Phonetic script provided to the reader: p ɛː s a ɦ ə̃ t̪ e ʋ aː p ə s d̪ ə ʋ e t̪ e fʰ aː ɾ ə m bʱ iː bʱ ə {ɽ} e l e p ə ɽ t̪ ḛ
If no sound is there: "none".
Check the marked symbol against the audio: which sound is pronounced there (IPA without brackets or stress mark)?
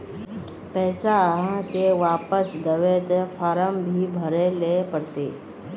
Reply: ɾ